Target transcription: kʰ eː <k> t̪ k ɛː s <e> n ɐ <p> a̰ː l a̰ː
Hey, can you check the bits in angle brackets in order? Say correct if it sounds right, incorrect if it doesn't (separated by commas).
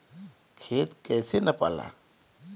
incorrect, correct, correct